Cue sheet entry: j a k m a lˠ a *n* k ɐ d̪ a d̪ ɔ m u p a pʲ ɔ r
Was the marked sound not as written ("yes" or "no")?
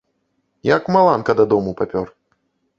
no